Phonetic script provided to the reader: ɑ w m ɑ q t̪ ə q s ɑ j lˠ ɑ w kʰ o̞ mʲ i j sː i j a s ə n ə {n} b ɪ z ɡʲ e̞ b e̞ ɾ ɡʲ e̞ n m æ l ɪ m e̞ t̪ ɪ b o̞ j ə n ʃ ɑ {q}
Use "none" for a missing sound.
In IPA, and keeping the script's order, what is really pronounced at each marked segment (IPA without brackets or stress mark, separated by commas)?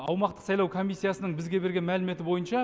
ɴ, none